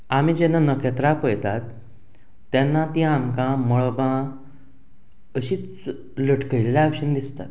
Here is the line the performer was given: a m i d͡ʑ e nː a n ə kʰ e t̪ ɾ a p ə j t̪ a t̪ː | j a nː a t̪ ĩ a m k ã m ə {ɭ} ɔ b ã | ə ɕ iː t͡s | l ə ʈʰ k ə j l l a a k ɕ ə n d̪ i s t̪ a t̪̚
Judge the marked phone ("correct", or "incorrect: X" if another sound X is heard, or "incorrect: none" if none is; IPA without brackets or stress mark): correct